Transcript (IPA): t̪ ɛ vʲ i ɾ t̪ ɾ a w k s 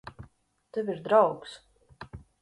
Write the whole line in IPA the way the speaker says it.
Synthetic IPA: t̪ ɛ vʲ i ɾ d̪ ɾ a w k s